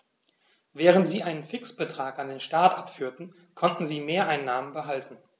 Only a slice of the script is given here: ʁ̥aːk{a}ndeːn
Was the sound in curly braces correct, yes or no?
yes